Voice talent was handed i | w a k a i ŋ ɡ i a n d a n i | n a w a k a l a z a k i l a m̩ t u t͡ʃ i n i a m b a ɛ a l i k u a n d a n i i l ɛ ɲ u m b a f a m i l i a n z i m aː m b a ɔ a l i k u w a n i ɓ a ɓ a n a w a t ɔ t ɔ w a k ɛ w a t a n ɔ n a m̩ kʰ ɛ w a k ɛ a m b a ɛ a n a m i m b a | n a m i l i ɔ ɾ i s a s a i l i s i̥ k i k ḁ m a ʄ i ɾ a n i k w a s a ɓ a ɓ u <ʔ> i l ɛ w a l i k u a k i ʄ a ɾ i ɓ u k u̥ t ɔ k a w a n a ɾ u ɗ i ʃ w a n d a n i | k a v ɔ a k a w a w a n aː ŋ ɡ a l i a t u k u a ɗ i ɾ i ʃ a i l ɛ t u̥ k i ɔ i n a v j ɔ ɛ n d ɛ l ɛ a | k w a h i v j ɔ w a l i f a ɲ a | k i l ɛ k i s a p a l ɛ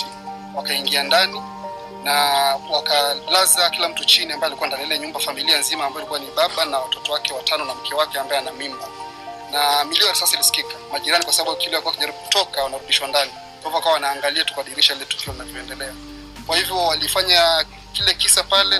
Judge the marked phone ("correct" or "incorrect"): incorrect